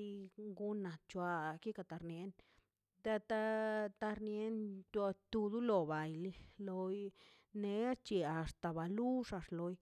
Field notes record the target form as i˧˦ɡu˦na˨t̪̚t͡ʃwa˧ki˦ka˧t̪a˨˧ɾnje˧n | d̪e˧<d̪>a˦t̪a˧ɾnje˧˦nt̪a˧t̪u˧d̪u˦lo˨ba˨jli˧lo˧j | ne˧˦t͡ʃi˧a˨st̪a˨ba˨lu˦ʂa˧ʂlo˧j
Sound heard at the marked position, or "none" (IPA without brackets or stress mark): t̪